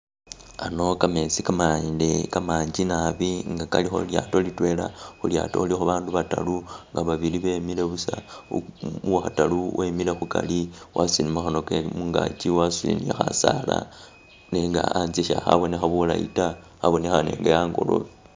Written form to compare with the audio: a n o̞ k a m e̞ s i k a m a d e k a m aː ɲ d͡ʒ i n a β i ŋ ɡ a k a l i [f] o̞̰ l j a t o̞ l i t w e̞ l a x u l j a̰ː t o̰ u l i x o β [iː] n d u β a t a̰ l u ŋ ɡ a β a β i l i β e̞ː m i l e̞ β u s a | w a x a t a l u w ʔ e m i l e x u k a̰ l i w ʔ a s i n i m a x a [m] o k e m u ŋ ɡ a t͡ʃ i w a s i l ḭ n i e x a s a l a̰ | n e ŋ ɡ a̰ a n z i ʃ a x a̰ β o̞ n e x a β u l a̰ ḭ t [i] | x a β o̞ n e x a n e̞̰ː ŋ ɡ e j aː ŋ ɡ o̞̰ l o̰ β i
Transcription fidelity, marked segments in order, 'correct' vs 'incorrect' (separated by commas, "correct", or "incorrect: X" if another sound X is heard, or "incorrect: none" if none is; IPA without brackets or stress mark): incorrect: x, incorrect: aː, incorrect: n, incorrect: a